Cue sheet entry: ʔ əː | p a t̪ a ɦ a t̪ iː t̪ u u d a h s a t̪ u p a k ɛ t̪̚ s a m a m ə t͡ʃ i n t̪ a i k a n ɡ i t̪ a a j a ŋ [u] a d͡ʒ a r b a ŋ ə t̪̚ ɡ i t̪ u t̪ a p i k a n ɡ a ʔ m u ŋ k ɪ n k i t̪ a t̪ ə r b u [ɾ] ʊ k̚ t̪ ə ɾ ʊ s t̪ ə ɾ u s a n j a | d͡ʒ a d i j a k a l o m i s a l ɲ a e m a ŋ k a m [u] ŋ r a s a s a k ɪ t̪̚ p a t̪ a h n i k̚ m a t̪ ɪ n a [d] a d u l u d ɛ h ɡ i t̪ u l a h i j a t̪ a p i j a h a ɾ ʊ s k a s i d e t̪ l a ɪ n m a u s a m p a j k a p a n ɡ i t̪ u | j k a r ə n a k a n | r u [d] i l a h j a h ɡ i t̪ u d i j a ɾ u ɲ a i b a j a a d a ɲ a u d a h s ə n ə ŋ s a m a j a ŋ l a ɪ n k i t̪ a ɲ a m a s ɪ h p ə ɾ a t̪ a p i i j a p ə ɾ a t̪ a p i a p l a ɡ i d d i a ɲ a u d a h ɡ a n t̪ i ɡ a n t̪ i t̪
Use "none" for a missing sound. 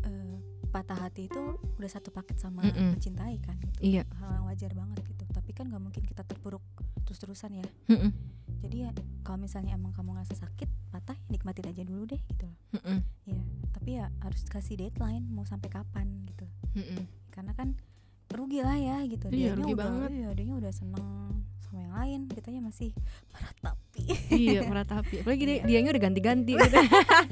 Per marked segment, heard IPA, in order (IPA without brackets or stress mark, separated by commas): w, ɾ, u, d͡ʒ, ɡ